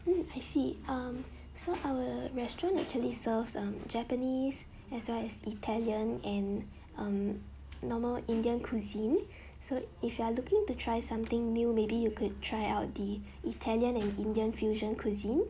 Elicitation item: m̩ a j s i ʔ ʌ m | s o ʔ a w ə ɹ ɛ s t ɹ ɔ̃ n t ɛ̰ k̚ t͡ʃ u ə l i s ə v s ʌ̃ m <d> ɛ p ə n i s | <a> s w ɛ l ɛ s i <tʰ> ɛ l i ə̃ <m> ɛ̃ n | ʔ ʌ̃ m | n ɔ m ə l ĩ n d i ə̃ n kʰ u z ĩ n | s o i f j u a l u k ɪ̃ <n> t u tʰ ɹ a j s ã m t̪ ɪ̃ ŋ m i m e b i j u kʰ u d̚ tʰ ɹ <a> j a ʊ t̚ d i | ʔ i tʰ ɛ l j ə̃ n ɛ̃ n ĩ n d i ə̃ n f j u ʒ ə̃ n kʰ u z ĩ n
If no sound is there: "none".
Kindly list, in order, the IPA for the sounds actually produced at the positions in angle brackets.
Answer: d͡ʒ, ɛ, tʰ, n, ŋ, a

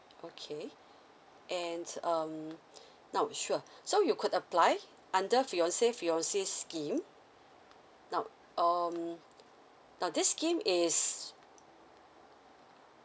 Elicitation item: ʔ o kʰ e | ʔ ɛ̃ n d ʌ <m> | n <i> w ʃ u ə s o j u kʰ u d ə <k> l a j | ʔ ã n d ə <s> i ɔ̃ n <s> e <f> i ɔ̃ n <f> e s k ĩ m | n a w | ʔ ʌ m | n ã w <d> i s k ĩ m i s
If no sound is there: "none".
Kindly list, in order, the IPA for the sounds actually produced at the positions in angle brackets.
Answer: m, a, p, f, s, f, s, d

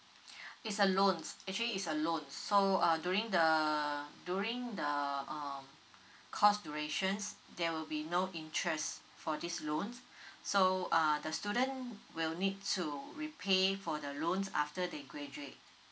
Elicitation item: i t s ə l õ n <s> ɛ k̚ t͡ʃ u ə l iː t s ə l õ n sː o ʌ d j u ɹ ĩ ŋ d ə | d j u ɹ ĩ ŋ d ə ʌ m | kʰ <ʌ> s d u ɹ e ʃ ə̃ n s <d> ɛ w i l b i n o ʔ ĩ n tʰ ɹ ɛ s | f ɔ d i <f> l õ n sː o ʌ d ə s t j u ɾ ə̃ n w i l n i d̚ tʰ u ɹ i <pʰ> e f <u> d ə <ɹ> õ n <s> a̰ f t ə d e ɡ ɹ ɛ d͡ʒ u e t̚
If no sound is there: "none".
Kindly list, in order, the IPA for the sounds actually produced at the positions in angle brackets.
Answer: s, ɔ, d, s, pʰ, ɔ, l, s

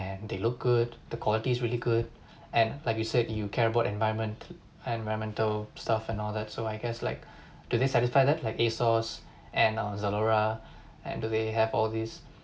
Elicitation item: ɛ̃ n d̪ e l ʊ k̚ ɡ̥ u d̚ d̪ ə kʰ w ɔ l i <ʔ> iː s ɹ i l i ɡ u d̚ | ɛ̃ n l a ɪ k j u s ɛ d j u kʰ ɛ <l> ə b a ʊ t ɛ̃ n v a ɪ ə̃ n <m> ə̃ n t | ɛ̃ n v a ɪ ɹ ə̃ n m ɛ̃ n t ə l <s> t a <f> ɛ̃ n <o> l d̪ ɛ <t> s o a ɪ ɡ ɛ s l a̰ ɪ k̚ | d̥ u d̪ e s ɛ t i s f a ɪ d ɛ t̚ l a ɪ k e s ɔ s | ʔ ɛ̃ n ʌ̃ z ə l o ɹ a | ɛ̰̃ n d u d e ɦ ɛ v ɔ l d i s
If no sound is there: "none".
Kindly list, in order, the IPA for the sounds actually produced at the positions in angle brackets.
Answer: t, ɹ, m, s, f, ɔ, t

